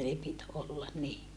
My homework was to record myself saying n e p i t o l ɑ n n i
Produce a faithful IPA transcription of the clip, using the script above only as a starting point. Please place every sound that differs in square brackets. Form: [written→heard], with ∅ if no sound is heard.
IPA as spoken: n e p i t o [l→lː] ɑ n n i